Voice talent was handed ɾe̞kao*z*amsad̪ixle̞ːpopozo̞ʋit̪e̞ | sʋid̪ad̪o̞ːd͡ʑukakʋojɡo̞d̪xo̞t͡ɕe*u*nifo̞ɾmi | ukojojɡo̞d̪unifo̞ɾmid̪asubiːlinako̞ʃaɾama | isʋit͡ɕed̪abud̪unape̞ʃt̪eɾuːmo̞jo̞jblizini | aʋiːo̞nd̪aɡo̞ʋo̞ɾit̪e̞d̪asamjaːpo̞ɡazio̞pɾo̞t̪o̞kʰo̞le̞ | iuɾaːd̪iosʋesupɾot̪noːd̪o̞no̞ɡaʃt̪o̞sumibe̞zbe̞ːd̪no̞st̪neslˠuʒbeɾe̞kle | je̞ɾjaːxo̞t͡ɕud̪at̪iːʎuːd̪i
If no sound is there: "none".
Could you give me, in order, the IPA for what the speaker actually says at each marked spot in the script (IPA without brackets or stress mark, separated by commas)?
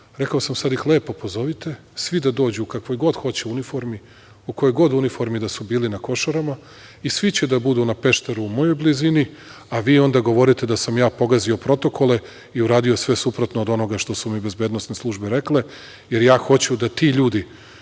s, u